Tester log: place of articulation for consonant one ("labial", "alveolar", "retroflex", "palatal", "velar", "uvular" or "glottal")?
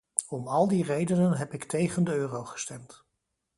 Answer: labial